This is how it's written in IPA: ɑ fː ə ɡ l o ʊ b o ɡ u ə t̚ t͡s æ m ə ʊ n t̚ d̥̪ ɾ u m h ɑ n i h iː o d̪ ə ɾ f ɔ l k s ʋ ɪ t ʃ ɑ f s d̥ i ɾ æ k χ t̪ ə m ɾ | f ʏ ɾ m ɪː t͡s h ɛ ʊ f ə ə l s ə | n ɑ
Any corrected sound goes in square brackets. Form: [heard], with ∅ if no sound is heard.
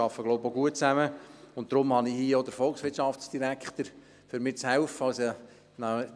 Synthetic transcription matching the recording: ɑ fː ə ɡ l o ʊ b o ɡ u ə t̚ t͡s æ m ə ʊ n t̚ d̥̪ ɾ [ʊ] m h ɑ n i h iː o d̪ ə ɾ f ɔ l k s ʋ ɪ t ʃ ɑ f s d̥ i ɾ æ k χ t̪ ə [∅] ɾ | f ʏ ɾ m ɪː t͡s h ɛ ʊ f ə [ɑ] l s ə | n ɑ